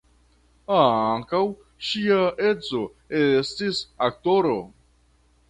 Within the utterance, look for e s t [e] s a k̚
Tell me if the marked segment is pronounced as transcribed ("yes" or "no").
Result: no